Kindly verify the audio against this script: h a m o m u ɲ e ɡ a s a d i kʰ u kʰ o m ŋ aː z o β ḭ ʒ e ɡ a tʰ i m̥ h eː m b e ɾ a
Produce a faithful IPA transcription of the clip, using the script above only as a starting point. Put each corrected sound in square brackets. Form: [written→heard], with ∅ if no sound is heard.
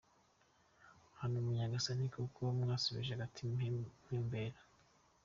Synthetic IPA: h a [m→n] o m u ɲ [e→a] ɡ a s a [d→n] i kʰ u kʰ o m ŋ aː [z→s] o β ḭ ʒ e ɡ a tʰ i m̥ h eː m b e ɾ a